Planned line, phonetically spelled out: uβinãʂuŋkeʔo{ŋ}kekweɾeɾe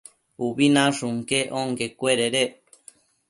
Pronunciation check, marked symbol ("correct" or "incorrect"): correct